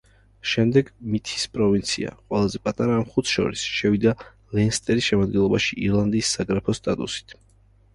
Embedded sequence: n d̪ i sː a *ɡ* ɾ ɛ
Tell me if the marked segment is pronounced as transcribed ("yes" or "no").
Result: yes